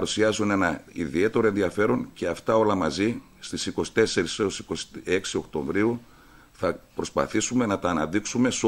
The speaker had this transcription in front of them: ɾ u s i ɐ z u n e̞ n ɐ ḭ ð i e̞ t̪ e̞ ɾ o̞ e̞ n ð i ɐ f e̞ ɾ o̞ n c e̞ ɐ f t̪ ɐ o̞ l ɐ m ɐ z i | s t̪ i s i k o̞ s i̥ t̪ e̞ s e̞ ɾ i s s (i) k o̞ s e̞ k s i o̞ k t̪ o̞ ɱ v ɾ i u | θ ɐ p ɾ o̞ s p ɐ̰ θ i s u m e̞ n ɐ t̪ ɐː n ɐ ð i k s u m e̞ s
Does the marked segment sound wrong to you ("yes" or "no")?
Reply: no